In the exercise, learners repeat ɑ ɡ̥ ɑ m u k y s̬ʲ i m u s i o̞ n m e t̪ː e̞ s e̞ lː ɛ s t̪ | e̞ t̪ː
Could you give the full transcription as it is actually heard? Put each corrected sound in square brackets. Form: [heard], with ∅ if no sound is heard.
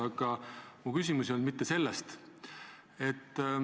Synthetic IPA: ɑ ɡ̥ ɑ m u k y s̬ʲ i m u s i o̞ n m [i] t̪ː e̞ s e̞ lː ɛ s t̪ | e̞ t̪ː